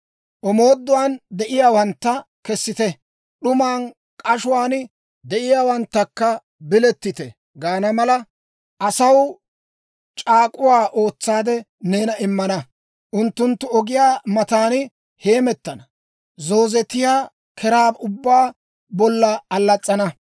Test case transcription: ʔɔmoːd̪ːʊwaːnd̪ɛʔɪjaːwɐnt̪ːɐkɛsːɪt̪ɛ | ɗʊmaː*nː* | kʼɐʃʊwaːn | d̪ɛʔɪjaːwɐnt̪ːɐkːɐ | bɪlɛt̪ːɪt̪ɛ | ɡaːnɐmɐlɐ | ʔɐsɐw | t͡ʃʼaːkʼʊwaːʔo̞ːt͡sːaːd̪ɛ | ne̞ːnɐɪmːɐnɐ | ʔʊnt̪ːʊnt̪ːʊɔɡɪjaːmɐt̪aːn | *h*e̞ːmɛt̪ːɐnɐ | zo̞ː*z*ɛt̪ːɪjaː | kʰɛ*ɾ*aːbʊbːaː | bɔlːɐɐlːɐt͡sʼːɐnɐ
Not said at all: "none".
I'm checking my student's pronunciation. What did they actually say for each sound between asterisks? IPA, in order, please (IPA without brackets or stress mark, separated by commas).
n, h, z, ɾ